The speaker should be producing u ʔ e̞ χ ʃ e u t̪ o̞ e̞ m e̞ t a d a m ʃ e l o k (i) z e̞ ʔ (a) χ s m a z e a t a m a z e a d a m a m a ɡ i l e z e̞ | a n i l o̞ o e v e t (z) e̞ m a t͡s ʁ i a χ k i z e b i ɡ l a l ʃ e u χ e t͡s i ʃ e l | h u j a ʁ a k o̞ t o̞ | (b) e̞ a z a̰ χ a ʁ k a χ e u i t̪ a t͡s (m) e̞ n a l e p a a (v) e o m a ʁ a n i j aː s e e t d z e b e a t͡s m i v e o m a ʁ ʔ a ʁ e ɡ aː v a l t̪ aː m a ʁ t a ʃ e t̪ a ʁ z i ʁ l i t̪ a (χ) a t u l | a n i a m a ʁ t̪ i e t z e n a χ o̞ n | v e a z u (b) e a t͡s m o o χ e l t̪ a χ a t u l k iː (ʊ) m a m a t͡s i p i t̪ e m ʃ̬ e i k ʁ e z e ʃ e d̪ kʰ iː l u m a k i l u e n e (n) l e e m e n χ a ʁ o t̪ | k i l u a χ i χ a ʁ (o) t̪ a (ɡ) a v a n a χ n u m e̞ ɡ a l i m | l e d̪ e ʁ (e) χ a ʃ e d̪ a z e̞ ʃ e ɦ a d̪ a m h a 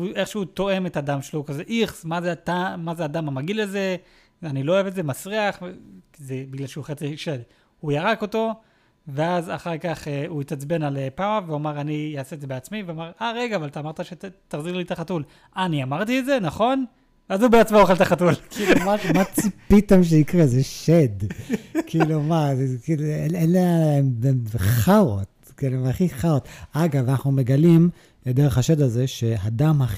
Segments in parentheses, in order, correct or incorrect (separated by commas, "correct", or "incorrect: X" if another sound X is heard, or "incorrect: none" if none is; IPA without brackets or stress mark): incorrect: a, incorrect: i, correct, incorrect: v, incorrect: b, correct, correct, correct, incorrect: u, correct, correct, correct, correct